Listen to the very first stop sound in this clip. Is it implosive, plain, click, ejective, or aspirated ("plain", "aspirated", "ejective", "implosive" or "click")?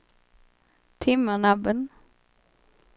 aspirated